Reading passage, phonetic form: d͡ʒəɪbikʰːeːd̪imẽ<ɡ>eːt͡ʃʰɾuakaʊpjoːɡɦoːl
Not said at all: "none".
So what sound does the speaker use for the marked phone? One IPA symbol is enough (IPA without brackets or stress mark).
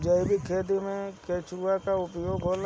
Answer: k